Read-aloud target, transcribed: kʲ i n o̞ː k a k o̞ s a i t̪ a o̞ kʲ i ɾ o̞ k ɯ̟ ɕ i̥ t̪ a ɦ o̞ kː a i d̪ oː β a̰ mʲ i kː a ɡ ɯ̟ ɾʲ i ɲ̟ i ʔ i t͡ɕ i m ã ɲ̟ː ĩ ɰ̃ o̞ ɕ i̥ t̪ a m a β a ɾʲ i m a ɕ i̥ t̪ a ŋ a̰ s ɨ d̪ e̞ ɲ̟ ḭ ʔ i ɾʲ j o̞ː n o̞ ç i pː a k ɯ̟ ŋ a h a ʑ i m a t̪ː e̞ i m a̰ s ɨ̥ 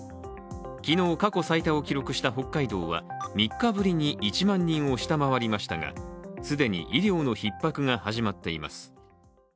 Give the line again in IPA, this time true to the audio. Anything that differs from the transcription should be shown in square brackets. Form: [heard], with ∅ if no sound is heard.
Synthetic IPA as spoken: kʲ i n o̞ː k a k o̞ s a i t̪ a o̞ kʲ i ɾ o̞ k ɯ̟ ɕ i̥ t̪ a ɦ o̞ kː a i d̪ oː β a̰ mʲ i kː a [b] ɯ̟ ɾʲ i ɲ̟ i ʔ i t͡ɕ i m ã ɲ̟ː ĩ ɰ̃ o̞ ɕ i̥ t̪ a m a β a ɾʲ i m a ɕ i̥ t̪ a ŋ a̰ s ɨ d̪ e̞ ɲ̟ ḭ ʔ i ɾʲ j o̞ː n o̞ ç i pː a k ɯ̟ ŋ a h a ʑ i m a t̪ː e̞ i m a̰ s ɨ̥